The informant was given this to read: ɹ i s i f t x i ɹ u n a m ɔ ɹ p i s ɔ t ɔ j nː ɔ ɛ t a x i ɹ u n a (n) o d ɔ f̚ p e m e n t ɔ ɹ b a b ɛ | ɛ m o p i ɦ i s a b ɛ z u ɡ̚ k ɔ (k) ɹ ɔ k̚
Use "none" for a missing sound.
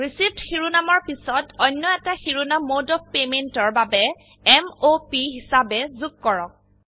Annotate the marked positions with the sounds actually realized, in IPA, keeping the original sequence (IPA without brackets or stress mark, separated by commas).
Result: m, none